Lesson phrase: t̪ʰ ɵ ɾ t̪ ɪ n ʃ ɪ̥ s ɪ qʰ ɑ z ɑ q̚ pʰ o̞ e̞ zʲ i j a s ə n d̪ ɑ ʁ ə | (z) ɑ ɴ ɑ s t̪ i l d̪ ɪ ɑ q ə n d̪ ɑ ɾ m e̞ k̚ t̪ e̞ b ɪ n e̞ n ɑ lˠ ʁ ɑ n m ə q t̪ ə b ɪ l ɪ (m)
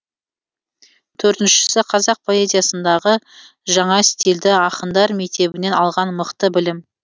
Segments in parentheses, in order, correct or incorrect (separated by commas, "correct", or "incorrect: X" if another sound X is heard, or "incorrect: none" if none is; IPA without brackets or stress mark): incorrect: ʒ, correct